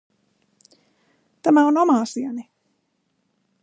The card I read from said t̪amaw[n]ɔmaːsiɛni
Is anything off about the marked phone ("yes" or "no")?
no